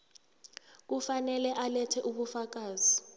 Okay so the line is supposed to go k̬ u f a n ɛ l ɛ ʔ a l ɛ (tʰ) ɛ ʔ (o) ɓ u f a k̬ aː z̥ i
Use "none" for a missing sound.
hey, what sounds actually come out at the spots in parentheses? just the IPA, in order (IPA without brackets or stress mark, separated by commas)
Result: tʰ, u